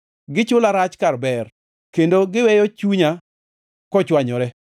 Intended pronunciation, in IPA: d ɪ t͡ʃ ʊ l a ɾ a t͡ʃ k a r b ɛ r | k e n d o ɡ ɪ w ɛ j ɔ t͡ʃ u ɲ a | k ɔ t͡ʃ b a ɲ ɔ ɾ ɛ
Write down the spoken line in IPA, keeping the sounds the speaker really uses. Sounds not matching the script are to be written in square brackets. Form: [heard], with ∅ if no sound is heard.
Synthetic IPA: [ɡ] ɪ t͡ʃ ʊ l a ɾ a t͡ʃ k a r b ɛ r | k e n d o ɡ ɪ w ɛ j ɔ t͡ʃ u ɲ a | k ɔ t͡ʃ [w] a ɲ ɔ ɾ ɛ

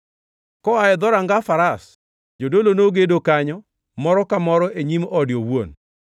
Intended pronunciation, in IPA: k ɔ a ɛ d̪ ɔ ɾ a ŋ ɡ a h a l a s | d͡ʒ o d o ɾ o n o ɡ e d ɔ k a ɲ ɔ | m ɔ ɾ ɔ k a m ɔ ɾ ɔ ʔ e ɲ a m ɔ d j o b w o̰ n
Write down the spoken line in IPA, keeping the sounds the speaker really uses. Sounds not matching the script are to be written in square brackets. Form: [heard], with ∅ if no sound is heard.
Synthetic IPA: k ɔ a ɛ d̪ ɔ ɾ a ŋ ɡ a [f] a [ɾ] a s | d͡ʒ o d o [l] o n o ɡ e d [o] k a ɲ ɔ | m ɔ ɾ ɔ k a m ɔ ɾ ɔ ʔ e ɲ [i] m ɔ d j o [w] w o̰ n

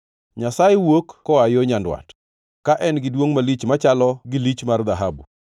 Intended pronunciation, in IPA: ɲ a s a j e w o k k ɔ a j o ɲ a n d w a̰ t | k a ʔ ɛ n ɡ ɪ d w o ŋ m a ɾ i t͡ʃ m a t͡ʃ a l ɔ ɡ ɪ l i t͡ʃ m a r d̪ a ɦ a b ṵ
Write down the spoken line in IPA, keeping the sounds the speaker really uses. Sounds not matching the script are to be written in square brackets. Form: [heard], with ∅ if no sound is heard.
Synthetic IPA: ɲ a s a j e w o k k ɔ a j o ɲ a n d w a̰ t | k a ʔ ɛ n ɡ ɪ d w o ŋ m a [l] i t͡ʃ m a t͡ʃ a l ɔ ɡ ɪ l i t͡ʃ m a r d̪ a ɦ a b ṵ

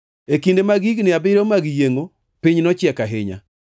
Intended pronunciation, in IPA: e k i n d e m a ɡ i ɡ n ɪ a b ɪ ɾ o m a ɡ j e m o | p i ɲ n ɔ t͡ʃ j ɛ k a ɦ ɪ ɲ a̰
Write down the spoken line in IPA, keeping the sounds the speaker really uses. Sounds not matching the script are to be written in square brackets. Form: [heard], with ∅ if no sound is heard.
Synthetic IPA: e k i n d e m a ɡ i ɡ n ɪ a b ɪ ɾ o m a ɡ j e [ŋ] o | p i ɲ n ɔ t͡ʃ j ɛ k a ɦ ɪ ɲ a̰

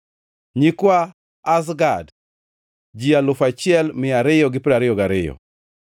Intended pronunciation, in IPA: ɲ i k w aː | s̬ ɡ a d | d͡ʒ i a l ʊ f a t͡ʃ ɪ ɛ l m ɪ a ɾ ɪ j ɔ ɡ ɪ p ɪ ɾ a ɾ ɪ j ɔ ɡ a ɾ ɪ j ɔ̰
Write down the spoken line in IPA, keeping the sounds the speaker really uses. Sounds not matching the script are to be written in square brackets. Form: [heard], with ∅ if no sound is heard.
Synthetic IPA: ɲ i k w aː | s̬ ɡ a d | d͡ʒ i a l ʊ f a t͡ʃ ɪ ɛ l m ɪ a ɾ ɪ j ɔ ɡ ɪ p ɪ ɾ a ɾ ɪ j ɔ ɡ a ɾ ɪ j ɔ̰

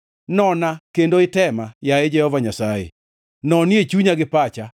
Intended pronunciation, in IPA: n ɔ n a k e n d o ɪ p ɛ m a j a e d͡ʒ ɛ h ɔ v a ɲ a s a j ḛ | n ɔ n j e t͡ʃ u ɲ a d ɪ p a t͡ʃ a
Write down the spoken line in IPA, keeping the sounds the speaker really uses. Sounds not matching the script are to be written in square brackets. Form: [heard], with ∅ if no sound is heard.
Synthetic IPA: n ɔ n a k e n d o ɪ [t] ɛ m a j a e d͡ʒ ɛ h ɔ v a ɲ a s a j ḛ | n ɔ n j e t͡ʃ u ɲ a [ɡ] ɪ p a t͡ʃ a

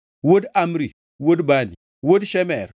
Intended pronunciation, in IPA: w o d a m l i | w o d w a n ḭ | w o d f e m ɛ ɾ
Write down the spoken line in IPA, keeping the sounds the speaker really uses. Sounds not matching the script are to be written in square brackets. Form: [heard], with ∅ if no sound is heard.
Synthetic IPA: w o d a m [ɾ] i | w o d [b] a n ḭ | w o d [ʃ] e m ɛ ɾ

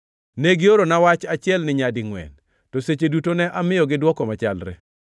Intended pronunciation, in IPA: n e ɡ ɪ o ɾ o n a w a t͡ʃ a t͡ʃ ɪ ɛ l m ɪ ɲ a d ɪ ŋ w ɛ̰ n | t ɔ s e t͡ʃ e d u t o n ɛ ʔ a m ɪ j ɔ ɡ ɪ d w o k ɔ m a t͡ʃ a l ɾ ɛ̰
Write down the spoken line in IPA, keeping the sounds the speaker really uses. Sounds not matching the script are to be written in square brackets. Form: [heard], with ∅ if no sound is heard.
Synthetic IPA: n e ɡ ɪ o ɾ o n a w a t͡ʃ a t͡ʃ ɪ ɛ l [n] ɪ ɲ a d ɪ ŋ w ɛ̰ n | t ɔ s e t͡ʃ e d u t o n ɛ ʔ a m ɪ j ɔ ɡ ɪ d w [ɔ] k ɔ m a t͡ʃ a l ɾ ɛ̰

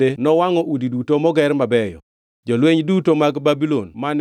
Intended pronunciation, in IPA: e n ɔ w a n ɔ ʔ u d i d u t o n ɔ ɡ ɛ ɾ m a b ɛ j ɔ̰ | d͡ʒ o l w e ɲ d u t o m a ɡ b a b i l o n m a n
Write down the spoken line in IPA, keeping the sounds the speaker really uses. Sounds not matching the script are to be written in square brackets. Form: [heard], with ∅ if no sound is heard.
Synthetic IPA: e n ɔ w a [ŋ] ɔ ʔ u d i d u t o [m] ɔ ɡ ɛ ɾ m a b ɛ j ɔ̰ | d͡ʒ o l w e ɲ d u t o m a ɡ b a b i l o n m a n

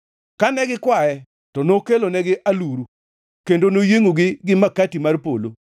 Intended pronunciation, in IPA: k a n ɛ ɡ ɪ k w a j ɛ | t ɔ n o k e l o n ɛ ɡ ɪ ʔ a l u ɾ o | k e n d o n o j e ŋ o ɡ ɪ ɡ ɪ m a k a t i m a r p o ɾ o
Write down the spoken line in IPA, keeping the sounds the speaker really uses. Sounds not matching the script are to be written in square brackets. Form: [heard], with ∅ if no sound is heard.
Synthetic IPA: k a n ɛ ɡ ɪ k w a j ɛ | t ɔ n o k e l o n ɛ ɡ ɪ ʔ a l u ɾ [u] | k e n d o n o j e ŋ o ɡ ɪ ɡ ɪ m a k a t i m a r p o [l] o

